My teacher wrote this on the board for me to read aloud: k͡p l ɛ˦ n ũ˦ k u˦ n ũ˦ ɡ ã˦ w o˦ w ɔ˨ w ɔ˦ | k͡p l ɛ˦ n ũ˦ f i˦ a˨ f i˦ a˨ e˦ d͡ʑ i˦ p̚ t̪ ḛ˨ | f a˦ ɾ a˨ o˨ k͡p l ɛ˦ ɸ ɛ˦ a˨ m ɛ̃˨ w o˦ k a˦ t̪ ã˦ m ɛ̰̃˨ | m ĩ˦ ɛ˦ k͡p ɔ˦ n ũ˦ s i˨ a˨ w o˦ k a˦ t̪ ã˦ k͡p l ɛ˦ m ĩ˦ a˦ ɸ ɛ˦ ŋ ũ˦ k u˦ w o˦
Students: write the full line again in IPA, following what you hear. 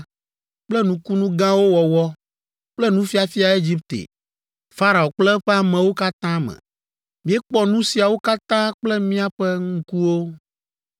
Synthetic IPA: k͡p l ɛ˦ n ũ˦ k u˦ n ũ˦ ɡ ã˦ w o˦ w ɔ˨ w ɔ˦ | k͡p l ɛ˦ n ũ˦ f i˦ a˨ f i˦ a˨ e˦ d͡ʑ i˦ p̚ t̪ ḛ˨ | f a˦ ɾ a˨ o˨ k͡p l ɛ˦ ɸ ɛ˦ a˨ m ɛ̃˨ w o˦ k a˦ t̪ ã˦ m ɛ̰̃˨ | m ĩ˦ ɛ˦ k͡p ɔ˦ n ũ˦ s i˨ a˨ w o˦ k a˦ t̪ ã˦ k͡p l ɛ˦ m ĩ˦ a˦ ɸ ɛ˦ ŋ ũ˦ k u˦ w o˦